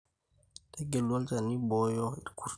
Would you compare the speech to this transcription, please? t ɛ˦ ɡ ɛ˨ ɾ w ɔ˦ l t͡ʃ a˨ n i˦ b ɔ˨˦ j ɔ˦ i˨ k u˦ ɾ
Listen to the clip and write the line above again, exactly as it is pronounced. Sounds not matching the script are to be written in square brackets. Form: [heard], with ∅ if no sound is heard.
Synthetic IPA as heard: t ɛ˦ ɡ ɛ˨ [l] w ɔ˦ l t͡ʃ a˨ n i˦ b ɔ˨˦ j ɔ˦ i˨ k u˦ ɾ